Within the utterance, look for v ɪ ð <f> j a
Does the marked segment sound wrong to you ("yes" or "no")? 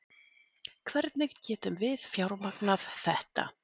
no